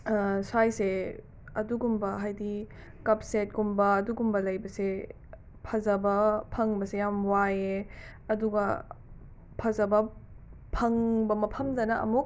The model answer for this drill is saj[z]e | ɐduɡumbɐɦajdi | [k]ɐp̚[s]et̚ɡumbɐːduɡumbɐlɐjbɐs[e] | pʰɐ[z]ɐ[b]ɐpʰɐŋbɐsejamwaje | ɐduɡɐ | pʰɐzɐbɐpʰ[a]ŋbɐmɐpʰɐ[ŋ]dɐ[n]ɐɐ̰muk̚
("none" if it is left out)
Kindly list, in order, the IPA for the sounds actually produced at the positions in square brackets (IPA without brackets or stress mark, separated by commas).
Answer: s, k, s, e, z, b, ɐ, m, n